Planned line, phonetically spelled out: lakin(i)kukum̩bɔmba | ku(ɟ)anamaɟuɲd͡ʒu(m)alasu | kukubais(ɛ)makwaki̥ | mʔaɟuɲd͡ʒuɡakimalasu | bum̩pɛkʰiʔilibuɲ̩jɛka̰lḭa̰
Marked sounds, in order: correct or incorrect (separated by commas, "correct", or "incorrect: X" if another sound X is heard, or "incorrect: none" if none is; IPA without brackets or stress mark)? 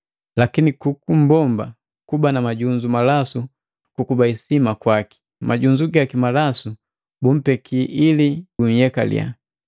correct, incorrect: b, correct, incorrect: i